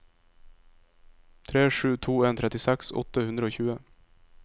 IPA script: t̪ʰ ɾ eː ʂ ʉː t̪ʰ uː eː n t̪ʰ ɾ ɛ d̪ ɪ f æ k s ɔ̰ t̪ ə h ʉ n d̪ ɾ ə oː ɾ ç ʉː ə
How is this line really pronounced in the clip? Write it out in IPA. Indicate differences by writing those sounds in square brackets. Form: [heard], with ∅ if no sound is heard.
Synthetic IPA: t̪ʰ ɾ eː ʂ ʉː t̪ʰ uː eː n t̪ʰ ɾ ɛ [t̪] ɪ [s] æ k s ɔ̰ t̪ ə h ʉ n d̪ ɾ ə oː [∅] ç ʉː ə

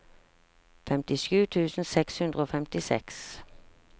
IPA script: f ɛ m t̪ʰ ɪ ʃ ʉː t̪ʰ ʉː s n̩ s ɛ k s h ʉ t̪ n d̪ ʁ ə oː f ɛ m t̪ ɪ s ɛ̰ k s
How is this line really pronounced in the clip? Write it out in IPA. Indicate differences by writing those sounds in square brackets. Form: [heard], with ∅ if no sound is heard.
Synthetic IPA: f ɛ m [t̪] ɪ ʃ ʉː t̪ʰ ʉː s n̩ s ɛ k s h ʉ [∅] n d̪ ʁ ə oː f ɛ m t̪ ɪ s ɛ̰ k s

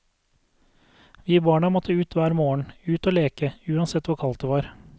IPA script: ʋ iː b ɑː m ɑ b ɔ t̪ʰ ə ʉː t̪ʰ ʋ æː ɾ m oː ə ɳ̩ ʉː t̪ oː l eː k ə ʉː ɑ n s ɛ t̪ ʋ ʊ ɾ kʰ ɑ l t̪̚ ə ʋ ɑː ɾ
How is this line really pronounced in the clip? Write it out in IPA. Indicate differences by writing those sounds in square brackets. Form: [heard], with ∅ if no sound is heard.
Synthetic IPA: ʋ iː b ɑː [ɳ] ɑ [m] ɔ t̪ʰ ə ʉː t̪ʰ ʋ æː ɾ m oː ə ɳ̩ ʉː t̪ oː l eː k ə ʉː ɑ n s ɛ t̪ ʋ ʊ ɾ kʰ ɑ l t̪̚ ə ʋ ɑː ɾ

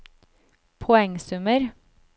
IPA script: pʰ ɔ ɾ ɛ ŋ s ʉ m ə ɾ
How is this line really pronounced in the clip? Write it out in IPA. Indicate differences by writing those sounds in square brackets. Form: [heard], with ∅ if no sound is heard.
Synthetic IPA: pʰ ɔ [∅] ɛ ŋ s ʉ m ə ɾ

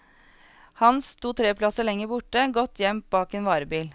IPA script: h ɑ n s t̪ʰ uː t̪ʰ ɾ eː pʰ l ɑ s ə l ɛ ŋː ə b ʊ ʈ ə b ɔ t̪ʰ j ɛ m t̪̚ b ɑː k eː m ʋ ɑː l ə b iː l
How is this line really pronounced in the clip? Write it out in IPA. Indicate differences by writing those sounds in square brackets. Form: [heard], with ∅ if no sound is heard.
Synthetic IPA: h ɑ n s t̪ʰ uː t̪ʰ ɾ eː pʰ l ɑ s ə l ɛ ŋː ə b ʊ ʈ ə [ɡ] ɔ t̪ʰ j ɛ m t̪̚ b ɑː k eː [n] ʋ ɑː [ɾ] ə b iː l

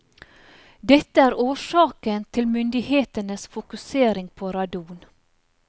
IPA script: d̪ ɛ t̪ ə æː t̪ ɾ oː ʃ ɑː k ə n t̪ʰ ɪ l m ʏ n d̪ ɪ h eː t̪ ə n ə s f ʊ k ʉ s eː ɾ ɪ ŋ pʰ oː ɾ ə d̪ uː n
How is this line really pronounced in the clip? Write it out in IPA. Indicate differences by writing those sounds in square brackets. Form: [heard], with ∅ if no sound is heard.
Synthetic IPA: d̪ ɛ t̪ ə æː [∅] ɾ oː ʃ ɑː k ə n t̪ʰ ɪ l m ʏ n d̪ ɪ h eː t̪ ə n ə s f ʊ k ʉ s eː ɾ ɪ ŋ pʰ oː ɾ [ɑ] d̪ uː n

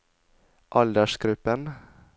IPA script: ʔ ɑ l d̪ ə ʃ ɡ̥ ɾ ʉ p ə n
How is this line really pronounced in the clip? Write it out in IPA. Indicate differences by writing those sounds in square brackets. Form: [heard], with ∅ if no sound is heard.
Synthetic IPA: ʔ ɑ l d̪ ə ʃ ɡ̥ ɾ ʉ p ə n

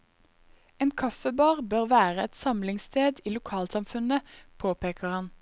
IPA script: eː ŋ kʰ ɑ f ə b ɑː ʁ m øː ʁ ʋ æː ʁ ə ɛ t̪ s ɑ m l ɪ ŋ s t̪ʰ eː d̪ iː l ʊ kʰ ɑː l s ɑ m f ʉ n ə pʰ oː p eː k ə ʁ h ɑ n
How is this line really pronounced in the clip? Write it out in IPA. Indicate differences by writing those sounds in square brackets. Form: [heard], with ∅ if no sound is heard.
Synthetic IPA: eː [n] kʰ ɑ f ə b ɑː ʁ [b] øː ʁ ʋ æː ʁ ə ɛ t̪ s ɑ m l ɪ ŋ s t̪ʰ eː d̪ iː l ʊ kʰ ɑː l s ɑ m f ʉ n ə pʰ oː p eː k ə ʁ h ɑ n

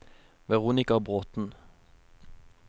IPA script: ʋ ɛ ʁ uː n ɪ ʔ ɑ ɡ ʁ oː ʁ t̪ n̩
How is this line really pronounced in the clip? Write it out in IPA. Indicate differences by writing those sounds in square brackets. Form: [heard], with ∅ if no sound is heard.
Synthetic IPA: ʋ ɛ ʁ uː n ɪ [k] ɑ [b] ʁ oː [∅] t̪ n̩

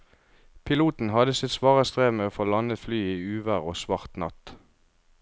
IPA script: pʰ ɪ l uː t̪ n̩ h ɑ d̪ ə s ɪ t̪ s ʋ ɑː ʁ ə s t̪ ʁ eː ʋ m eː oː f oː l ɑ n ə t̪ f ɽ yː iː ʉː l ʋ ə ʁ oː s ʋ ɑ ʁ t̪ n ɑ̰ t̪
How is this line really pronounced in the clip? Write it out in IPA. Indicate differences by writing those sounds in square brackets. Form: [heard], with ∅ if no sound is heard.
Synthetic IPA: pʰ ɪ l uː t̪ n̩ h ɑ d̪ ə s ɪ t̪ s ʋ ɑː ʁ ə s t̪ ʁ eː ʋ m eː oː f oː l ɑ n ə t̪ f [l] yː iː ʉː [∅] ʋ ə ʁ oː s ʋ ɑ ʁ t̪ n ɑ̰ t̪

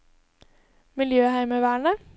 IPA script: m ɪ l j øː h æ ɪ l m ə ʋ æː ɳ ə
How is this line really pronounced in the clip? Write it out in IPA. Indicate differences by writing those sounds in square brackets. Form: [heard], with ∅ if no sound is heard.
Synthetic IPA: m ɪ l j øː h æ ɪ [∅] m ə ʋ æː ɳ ə

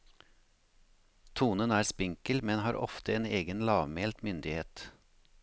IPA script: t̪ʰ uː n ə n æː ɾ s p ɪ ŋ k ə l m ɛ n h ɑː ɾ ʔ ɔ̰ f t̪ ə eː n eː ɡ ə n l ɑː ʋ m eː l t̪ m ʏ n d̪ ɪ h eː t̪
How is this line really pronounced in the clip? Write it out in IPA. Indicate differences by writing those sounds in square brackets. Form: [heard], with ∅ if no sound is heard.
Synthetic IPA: t̪ʰ uː n ə n æː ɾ s p ɪ ŋ k ə l m ɛ n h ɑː ɾ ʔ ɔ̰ f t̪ ə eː n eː ɡ ə n l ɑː ʋ m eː l t̪ m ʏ n d̪ ɪ h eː t̪

